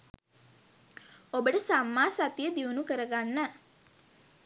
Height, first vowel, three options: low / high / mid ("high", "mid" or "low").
mid